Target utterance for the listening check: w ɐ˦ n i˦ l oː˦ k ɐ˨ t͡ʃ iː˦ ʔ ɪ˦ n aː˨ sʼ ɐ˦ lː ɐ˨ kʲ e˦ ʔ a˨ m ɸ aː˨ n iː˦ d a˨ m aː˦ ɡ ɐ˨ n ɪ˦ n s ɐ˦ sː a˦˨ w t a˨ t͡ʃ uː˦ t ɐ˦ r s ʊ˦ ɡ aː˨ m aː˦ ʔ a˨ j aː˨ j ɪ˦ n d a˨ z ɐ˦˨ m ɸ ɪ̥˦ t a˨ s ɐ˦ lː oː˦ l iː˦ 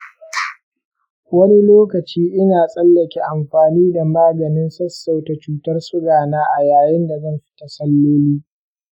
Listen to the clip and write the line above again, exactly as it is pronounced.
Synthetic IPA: w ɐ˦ n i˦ l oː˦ k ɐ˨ t͡ʃ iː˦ ʔ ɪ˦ n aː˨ sʼ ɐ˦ lː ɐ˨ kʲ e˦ ʔ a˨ m ɸ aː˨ n iː˦ d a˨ m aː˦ ɡ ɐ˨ n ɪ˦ n s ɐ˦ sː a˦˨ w t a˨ t͡ʃ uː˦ t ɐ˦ r s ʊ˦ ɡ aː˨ n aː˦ ʔ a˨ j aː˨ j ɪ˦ n d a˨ z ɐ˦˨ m ɸ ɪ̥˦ t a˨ s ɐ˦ lː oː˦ l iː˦